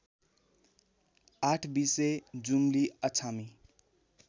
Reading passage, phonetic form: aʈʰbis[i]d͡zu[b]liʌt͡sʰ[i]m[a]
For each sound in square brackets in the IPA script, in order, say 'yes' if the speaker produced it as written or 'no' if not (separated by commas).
no, no, no, no